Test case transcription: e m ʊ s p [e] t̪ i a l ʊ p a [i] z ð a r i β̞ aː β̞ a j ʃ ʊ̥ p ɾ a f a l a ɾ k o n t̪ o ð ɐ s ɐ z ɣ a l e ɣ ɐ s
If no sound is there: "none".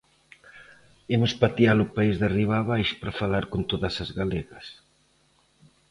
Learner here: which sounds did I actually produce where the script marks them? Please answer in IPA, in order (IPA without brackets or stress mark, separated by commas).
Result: a, i